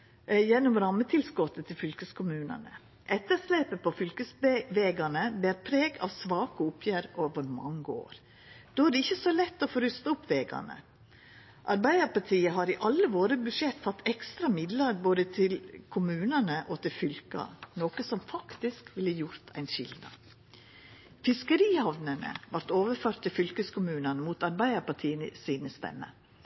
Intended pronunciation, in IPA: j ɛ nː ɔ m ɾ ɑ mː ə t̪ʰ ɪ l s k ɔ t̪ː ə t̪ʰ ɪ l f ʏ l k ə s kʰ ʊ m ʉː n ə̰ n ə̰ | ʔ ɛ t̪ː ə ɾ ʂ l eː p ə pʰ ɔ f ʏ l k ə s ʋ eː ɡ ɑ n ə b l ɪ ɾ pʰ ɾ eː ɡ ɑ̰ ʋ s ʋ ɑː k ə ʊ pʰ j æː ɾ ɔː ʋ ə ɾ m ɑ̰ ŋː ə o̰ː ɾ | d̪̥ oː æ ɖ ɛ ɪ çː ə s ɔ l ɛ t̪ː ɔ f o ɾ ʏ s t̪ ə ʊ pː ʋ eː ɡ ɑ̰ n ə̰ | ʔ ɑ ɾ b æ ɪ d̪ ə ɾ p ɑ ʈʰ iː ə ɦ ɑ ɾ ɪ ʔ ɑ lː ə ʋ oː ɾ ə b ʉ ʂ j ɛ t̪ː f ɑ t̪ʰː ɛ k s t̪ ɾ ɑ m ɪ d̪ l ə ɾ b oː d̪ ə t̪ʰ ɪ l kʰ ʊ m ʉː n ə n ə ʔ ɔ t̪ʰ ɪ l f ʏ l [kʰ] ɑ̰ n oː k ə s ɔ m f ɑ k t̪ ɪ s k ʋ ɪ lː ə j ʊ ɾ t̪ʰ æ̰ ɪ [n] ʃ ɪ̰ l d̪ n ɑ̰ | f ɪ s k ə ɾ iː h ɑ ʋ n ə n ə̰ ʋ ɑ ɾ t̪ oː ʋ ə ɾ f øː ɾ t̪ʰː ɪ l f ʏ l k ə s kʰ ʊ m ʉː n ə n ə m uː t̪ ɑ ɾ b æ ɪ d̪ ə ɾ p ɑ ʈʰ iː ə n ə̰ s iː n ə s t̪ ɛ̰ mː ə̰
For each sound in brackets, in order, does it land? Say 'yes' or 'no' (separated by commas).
no, yes